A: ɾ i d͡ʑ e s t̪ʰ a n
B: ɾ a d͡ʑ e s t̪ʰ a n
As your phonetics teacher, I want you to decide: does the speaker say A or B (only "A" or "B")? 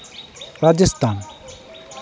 B